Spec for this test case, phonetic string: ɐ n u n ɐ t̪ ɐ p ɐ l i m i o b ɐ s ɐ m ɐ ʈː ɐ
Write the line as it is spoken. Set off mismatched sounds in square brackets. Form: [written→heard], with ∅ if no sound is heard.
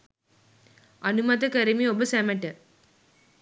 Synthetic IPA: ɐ n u [n→m] ɐ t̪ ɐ [p→k] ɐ [l→ɾ] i m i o b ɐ s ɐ m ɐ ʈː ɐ

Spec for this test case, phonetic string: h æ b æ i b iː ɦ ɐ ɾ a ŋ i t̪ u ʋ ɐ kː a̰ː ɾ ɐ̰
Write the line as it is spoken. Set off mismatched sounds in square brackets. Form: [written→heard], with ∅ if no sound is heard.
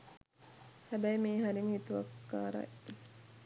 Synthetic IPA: h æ b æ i [b→m] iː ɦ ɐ ɾ [a→i] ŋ i t̪ u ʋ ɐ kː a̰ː ɾ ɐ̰

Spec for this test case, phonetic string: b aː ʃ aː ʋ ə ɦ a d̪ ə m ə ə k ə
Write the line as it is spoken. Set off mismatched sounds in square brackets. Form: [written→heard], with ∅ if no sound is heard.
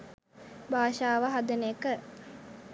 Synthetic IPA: b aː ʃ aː ʋ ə ɦ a d̪ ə [m→n] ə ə k ə

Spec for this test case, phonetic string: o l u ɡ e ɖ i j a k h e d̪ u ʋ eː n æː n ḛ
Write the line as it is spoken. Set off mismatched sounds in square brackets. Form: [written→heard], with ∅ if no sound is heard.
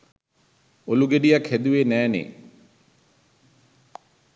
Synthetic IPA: o l u ɡ e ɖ i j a k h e d̪ u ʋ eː n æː n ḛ

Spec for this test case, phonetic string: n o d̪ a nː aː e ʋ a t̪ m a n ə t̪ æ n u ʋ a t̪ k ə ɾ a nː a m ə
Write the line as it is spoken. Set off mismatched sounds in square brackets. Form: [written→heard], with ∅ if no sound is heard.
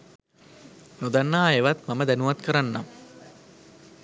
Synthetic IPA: n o d̪ a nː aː e ʋ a t̪ m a [n→m] ə [t̪→d̪] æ n u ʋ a t̪ k ə ɾ a nː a m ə

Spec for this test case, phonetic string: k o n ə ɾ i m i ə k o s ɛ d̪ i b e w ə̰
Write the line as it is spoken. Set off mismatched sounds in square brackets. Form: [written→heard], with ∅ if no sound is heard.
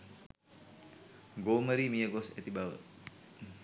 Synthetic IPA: [k→ɡ] o [n→m] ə ɾ i m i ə [k→ɡ] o s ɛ [d̪→t̪] i b [e→a] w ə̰

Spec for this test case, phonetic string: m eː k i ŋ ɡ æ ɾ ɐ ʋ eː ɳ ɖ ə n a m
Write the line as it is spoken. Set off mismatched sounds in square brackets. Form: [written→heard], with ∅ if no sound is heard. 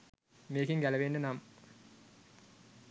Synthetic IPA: m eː k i ŋ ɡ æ [ɾ→l] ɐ ʋ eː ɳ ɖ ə n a m

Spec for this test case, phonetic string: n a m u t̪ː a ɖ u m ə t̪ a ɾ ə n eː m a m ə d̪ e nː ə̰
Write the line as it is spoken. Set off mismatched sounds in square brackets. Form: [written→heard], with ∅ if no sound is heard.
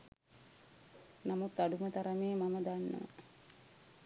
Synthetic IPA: n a m u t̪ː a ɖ u m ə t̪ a ɾ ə [n→m] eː m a m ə d̪ [e→a] nː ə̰

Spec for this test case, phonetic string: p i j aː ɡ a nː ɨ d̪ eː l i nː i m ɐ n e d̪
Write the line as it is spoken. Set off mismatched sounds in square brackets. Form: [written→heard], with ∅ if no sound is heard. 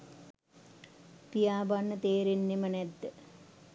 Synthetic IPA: p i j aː [ɡ→b] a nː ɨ [d̪→t̪] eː [l→ɾ] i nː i m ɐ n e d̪

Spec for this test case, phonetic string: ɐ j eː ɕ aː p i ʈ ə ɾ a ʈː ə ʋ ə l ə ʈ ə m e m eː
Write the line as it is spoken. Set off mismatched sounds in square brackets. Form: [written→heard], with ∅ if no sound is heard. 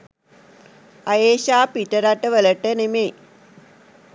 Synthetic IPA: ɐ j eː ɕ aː p i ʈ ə ɾ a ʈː ə ʋ ə l ə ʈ ə [m→n] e m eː

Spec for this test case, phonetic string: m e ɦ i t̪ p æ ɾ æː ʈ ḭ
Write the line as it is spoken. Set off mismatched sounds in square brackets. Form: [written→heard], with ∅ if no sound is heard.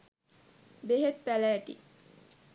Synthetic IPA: [m→b] e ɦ [i→e] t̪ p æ [ɾ→l] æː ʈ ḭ

